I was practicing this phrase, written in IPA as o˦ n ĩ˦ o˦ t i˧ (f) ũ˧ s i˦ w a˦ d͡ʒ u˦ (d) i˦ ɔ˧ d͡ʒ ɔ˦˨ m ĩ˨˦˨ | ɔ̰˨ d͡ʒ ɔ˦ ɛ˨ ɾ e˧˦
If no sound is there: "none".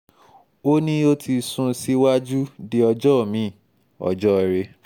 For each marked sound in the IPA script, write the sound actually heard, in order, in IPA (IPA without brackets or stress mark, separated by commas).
s, d